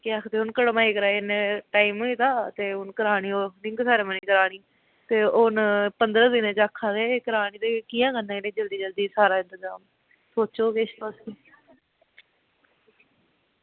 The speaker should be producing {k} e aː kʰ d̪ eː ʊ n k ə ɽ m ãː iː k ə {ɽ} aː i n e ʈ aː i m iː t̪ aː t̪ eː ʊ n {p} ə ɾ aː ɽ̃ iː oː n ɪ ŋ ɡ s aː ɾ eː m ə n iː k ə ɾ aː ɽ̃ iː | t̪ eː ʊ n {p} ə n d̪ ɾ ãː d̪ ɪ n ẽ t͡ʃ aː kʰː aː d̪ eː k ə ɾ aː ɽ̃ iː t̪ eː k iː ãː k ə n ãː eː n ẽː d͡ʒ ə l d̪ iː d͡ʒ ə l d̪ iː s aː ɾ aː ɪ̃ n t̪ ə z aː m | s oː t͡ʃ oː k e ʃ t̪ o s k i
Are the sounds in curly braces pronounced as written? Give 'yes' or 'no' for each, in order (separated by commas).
yes, no, no, yes